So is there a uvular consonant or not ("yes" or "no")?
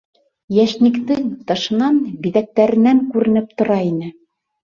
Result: no